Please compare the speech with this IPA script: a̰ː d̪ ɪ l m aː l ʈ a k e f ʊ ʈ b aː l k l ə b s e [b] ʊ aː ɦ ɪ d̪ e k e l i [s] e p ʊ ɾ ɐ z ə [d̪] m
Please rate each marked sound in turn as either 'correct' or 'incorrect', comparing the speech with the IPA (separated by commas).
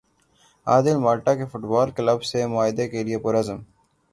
incorrect, incorrect, incorrect